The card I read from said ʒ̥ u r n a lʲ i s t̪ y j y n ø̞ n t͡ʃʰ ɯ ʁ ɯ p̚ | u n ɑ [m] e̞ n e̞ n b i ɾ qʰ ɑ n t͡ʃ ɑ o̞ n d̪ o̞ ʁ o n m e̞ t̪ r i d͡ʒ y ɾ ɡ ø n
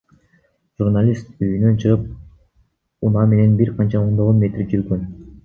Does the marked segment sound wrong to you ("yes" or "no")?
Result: no